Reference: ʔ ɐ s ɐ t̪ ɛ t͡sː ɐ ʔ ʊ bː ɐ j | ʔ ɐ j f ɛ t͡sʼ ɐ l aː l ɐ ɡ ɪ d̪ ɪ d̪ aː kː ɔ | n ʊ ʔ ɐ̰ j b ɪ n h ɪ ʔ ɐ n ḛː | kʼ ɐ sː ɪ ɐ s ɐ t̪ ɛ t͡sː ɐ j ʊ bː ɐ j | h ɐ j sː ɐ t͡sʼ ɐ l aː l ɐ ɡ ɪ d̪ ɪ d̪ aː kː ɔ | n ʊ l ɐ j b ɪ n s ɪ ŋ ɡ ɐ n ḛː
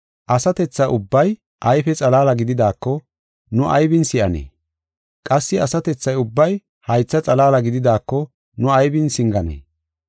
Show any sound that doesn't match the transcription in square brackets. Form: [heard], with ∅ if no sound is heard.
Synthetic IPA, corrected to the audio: ʔ ɐ s ɐ t̪ ɛ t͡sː ɐ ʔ ʊ bː ɐ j | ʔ ɐ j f ɛ t͡sʼ ɐ l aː l ɐ ɡ ɪ d̪ ɪ d̪ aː kː ɔ | n ʊ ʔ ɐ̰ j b ɪ n [s] ɪ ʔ ɐ n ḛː | kʼ ɐ sː ɪ ɐ s ɐ t̪ ɛ t͡sː ɐ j ʊ bː ɐ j | h ɐ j [t͡sː] ɐ t͡sʼ ɐ l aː l ɐ ɡ ɪ d̪ ɪ d̪ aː kː ɔ | n ʊ [∅] ɐ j b ɪ n s ɪ ŋ ɡ ɐ n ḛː